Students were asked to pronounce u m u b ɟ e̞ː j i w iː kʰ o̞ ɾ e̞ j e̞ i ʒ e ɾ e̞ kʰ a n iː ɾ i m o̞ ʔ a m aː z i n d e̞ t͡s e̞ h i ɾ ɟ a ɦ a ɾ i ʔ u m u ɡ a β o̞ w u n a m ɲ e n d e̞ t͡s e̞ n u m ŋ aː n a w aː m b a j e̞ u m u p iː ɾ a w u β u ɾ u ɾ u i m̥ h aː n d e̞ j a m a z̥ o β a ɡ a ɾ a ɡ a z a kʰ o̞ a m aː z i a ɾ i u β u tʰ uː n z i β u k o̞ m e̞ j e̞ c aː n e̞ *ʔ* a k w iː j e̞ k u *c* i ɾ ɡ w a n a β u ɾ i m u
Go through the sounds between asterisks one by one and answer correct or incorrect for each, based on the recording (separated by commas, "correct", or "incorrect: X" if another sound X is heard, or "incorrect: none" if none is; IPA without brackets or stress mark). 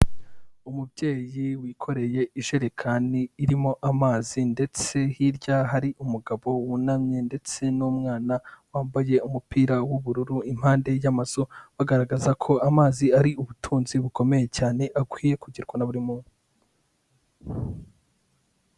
correct, incorrect: ɟ